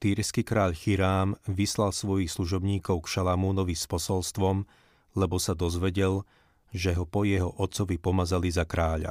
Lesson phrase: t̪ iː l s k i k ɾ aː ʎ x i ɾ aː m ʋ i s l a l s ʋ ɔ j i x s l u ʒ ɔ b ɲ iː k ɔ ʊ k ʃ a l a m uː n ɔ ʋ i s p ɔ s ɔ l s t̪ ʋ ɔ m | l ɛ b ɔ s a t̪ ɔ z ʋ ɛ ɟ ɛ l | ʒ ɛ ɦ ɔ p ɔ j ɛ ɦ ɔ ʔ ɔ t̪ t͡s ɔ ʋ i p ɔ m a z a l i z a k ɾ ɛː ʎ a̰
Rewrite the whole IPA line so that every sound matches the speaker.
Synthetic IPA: t̪ iː ɾ s k i k ɾ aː ʎ x i ɾ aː m ʋ i s l a l s ʋ ɔ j i x s l u ʒ ɔ b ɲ iː k ɔ ʊ k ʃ a l a m uː n ɔ ʋ i s p ɔ s ɔ l s t̪ ʋ ɔ m | l ɛ b ɔ s a d̪ ɔ z ʋ ɛ ɟ ɛ l | ʒ ɛ ɦ ɔ p ɔ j ɛ ɦ ɔ ʔ ɔ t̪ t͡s ɔ ʋ i p ɔ m a z a l i z a k ɾ aː ʎ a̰